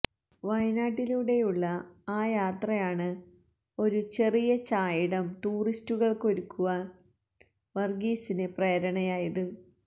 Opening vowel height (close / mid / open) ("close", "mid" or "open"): open